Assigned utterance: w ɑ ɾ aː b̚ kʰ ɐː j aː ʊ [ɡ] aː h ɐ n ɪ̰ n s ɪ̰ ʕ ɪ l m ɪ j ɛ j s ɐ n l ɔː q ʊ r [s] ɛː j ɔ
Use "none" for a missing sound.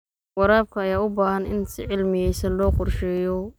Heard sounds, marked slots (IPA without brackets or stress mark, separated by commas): b, ʃ